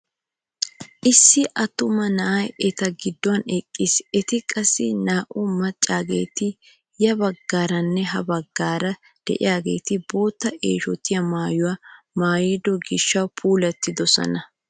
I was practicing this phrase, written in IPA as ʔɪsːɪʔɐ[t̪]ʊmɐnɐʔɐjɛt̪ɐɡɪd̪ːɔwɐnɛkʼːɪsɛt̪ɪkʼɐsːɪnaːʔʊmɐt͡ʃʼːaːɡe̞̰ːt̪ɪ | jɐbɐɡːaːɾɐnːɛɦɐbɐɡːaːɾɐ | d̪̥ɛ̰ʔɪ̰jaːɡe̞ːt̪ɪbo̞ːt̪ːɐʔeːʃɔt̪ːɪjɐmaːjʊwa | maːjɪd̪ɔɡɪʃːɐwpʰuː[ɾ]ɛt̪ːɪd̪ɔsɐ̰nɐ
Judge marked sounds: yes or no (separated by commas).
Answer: yes, no